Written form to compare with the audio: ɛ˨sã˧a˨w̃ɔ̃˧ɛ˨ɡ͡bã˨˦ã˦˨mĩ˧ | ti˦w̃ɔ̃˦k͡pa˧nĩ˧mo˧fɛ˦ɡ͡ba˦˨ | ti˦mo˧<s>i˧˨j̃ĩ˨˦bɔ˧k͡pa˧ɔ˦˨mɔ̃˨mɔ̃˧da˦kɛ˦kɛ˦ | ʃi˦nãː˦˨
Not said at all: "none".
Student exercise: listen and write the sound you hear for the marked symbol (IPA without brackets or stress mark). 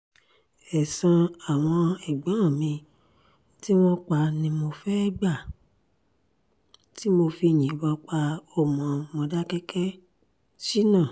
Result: f